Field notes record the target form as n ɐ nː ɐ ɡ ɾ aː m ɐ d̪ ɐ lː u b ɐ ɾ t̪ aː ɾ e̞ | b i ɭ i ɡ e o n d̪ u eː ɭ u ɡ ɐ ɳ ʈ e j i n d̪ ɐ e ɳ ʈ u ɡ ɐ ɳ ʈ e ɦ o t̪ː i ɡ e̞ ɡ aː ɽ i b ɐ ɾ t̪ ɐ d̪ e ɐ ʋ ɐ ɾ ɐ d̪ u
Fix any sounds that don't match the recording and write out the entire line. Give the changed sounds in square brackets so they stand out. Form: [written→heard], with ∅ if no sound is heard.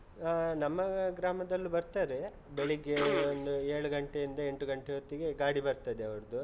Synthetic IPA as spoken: n ɐ [nː→mː] ɐ ɡ ɾ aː m ɐ d̪ ɐ lː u b ɐ ɾ t̪ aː ɾ e̞ | b [i→e] ɭ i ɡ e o n d̪ u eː ɭ u ɡ ɐ ɳ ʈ e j i n d̪ ɐ e ɳ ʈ u ɡ ɐ ɳ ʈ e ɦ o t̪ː i ɡ e̞ ɡ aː ɽ i b ɐ ɾ t̪ ɐ d̪ e ɐ ʋ ɐ ɾ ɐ d̪ u